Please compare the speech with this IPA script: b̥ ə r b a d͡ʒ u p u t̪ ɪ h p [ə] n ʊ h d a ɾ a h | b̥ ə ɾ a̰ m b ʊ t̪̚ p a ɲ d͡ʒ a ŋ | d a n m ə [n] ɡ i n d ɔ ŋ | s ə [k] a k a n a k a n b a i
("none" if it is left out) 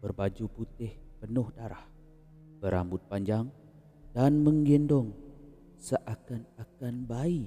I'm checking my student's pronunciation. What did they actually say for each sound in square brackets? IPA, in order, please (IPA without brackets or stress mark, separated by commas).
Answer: ə, ŋ, ʔ